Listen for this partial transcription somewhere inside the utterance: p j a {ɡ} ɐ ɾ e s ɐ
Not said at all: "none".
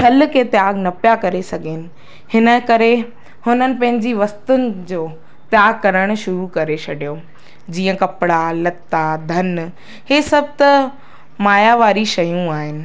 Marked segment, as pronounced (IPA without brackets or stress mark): k